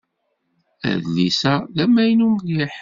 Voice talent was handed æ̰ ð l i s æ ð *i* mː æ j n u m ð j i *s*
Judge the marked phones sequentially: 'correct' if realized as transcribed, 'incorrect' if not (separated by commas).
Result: incorrect, incorrect